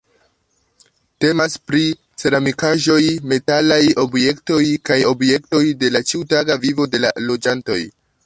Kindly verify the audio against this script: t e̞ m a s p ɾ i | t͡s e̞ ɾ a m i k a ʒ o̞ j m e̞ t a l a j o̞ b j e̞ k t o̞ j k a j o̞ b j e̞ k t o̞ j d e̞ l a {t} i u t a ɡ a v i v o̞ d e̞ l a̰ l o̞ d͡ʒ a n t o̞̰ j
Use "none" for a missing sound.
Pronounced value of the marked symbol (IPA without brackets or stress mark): t͡ʃ